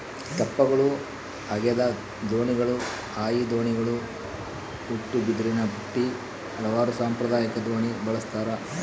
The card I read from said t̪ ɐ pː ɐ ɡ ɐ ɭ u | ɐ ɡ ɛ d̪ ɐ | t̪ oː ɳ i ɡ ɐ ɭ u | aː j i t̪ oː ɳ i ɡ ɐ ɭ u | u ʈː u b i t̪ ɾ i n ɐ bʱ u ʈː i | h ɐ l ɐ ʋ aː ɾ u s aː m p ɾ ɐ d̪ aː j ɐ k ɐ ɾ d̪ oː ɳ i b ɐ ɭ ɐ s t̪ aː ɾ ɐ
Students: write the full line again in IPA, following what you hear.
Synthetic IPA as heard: t̪ ɐ pː ɐ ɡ ɐ ɭ u | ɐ ɡ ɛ d̪ ɐ | d̪ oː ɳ i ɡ ɐ ɭ u | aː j i d̪ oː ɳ i ɡ ɐ ɭ u | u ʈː u b i d̪ ɾ i n ɐ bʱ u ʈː i | h ɐ l ɐ ʋ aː ɾ u s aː m p ɾ ɐ d̪ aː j ɐ k ɐ d̪ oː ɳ i b ɐ ɭ ɐ s t̪ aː ɾ ɐ

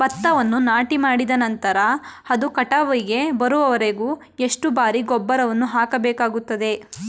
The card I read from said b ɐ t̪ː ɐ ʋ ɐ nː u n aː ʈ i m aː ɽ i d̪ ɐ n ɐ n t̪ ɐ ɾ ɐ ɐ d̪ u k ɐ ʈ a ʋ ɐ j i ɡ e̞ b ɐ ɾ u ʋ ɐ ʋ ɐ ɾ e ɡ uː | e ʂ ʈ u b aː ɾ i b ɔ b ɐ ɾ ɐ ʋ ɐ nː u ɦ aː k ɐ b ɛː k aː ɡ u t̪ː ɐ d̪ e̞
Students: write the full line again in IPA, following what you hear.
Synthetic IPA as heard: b ɐ t̪ː ɐ ʋ ɐ nː u n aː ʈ i m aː ɽ i d̪ ɐ n ɐ n t̪ ɐ ɾ ɐ ɐ d̪ u k ɐ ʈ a ʋ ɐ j i ɡ e̞ b ɐ ɾ u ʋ ɐ ʋ ɐ ɾ e ɡ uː | e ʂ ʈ u b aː ɾ i ɡ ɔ bː ɐ ɾ ɐ ʋ ɐ nː u ɦ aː k ɐ b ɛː k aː ɡ u t̪ː ɐ d̪ e̞

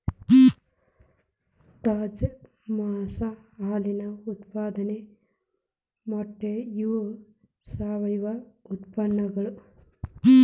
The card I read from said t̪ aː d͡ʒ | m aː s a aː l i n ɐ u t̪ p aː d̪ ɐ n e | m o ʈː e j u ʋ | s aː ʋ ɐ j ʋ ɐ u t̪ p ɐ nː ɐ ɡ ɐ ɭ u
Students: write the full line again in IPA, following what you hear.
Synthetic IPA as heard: t̪ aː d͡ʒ | m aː s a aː l i n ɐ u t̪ p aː d̪ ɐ n e | m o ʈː e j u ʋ | s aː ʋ ɐ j ʋ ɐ u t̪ p ɐ nː ɐ ɡ ɐ ɭ u

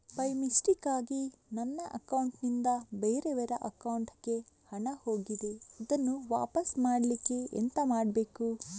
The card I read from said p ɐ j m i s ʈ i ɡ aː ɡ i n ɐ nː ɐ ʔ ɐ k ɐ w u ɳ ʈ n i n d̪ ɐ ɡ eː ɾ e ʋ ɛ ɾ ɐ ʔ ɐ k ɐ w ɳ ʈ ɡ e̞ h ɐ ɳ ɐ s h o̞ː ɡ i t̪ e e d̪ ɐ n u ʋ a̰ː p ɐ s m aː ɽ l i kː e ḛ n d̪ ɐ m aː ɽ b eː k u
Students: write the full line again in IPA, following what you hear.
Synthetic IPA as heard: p ɐ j m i s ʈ i k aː ɡ i n ɐ nː ɐ ʔ ɐ k ɐ w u ɳ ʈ n i n d̪ ɐ b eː ɾ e ʋ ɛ ɾ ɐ ʔ ɐ k ɐ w ɳ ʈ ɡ e̞ h ɐ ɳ ɐ h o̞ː ɡ i d̪ e i d̪ ɐ nː u ʋ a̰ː p ɐ s m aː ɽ l i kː e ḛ n t̪ ɐ m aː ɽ b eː k u

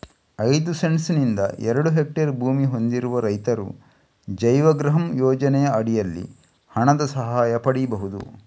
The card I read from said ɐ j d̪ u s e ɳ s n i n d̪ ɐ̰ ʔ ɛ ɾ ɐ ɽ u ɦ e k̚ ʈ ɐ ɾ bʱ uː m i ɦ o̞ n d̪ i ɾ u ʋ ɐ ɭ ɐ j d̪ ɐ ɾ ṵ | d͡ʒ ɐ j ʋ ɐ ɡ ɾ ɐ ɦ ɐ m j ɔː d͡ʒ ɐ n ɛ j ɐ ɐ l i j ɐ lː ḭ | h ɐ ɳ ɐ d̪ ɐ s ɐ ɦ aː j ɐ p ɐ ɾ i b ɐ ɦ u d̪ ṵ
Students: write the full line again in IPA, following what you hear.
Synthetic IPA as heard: ɐ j d̪ u s e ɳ s n i n d̪ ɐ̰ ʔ ɛ ɾ ɐ ɽ u ɦ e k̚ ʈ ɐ ɾ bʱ uː m i ɦ o̞ n d̪ i ɾ u ʋ ɐ ɾ ɐ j t̪ ɐ ɾ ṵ | d͡ʒ ɐ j ʋ ɐ ɡ ɾ ɐ ɦ ɐ m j ɔː d͡ʒ ɐ n ɛ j ɐ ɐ ɽ i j ɐ lː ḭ | h ɐ ɳ ɐ d̪ ɐ s ɐ ɦ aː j ɐ p ɐ ɽ i b ɐ ɦ u d̪ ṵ

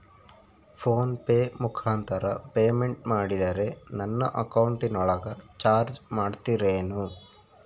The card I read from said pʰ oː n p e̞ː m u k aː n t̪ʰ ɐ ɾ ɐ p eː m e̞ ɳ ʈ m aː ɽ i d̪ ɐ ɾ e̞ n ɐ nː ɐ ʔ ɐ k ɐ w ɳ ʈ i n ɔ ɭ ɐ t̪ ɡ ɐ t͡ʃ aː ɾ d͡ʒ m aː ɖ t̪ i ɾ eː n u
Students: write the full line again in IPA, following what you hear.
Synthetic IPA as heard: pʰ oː n p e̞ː m u kʰ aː n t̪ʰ ɐ ɾ ɐ p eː m e̞ ɳ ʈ m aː ɽ i d̪ ɐ ɾ e̞ n ɐ nː ɐ ʔ ɐ k ɐ w ɳ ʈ i n ɔ ɭ ɐ ɡ ɐ t͡ʃ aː ɾ d͡ʒ m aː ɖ t̪ i ɾ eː n u

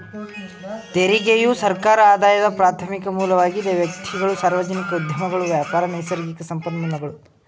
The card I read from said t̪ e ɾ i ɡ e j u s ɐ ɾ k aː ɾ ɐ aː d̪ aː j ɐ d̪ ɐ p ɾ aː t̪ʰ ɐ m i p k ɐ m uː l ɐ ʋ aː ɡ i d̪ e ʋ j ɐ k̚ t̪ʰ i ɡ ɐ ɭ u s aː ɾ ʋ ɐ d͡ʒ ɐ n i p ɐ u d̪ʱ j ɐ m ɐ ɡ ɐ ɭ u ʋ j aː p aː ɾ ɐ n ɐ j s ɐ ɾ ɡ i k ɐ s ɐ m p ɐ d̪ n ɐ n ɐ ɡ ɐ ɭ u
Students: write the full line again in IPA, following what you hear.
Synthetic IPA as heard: t̪ e ɾ i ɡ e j u s ɐ ɾ k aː ɾ ɐ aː d̪ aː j ɐ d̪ ɐ p ɾ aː t̪ʰ ɐ m i k ɐ m uː l ɐ ʋ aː ɡ i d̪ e ʋ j ɐ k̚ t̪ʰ i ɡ ɐ ɭ u s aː ɾ ʋ ɐ d͡ʒ ɐ n i k ɐ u d̪ʱ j ɐ m ɐ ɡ ɐ ɭ u ʋ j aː p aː ɾ ɐ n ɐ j s ɐ ɾ ɡ i k ɐ s ɐ m p ɐ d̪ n ɐ n ɐ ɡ ɐ ɭ u

